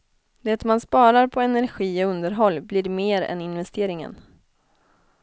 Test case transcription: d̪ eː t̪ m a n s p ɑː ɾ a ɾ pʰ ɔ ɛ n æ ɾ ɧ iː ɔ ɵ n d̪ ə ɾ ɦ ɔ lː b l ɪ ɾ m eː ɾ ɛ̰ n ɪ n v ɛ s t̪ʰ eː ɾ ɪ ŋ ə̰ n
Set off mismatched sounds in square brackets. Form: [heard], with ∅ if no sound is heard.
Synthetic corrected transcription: d̪ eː t̪ m a n s p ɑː ɾ a ɾ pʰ ɔ ɛ n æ ɾ ɧ iː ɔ ɵ n d̪ ə ɾ ɦ ɔ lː b l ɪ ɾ m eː ɾ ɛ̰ n ɪ n v ɛ s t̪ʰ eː ɾ ɪ ŋ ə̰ n